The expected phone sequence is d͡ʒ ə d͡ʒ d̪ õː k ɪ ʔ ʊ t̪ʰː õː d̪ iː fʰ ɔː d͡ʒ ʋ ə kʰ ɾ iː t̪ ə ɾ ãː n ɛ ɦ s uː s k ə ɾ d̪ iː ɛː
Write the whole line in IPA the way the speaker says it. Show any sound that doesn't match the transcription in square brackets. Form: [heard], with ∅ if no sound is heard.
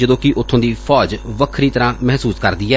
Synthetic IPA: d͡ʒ ə [∅] d̪ õː k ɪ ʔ ʊ t̪ʰː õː d̪ iː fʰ ɔː d͡ʒ ʋ ə kʰ ɾ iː t̪ ə ɾ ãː [m] ɛ ɦ s uː s k ə ɾ d̪ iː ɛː